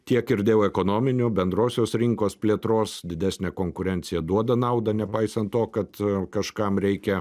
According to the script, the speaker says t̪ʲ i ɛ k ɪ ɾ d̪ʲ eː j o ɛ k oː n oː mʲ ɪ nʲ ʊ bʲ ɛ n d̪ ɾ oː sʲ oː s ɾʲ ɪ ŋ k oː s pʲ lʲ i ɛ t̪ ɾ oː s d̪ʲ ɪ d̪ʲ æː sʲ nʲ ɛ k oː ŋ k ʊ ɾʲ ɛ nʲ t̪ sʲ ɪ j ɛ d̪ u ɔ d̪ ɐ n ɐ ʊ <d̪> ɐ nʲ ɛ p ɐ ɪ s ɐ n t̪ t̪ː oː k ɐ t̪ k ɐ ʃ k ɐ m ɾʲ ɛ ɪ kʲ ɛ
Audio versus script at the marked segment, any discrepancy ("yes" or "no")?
no